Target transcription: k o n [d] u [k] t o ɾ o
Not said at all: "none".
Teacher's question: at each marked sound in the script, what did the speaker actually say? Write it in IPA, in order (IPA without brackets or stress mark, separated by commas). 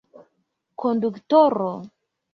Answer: d, k